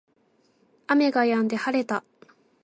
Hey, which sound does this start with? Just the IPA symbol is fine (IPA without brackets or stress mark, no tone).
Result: a